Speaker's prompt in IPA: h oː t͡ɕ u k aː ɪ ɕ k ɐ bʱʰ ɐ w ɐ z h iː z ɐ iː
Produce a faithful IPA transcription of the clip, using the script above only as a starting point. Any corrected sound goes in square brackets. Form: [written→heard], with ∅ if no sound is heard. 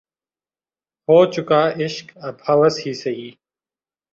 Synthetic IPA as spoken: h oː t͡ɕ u k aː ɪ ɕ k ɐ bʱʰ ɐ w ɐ [z→s] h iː [z→s] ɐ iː